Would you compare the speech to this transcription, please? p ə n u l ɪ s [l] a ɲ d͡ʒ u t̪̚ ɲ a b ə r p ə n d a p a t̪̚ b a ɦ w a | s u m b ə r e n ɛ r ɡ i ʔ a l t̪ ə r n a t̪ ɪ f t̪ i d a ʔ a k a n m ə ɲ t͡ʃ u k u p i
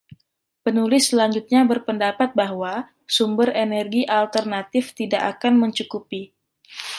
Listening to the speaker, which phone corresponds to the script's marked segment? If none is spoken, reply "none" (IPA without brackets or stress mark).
l